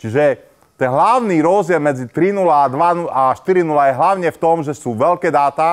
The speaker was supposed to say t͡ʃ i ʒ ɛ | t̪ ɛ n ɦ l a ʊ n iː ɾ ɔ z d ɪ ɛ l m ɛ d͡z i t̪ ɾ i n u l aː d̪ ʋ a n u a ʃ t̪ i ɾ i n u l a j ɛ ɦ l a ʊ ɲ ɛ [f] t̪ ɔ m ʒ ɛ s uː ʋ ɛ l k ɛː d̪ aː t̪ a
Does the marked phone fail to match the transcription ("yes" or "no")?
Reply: no